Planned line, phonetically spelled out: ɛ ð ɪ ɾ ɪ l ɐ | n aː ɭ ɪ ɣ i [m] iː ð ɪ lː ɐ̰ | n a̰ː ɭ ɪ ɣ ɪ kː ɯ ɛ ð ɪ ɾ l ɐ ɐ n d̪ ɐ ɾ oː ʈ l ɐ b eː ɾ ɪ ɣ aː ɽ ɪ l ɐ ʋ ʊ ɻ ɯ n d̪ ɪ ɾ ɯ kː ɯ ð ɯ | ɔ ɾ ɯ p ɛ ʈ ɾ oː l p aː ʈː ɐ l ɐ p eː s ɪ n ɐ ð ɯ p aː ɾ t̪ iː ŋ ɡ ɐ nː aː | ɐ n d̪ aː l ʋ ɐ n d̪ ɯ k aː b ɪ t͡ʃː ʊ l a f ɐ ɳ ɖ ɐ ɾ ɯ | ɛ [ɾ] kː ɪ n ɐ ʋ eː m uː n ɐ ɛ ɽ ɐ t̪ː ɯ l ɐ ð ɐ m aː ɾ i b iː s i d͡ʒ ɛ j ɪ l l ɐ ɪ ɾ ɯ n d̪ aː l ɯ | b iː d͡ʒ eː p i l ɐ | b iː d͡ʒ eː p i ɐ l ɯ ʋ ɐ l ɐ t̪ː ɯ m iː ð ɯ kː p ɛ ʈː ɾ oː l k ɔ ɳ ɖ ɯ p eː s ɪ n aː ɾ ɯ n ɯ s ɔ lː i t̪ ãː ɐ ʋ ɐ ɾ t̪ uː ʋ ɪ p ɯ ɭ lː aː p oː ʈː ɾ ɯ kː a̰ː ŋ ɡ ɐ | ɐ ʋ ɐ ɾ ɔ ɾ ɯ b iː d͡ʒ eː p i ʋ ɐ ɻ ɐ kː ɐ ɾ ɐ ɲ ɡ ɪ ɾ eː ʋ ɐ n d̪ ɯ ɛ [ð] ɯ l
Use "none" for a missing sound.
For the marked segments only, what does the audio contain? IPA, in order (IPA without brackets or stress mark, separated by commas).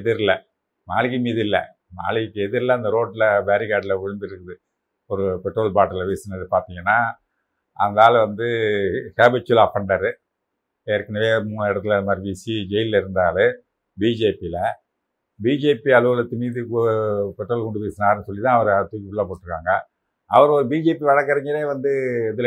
m, ɾ, ð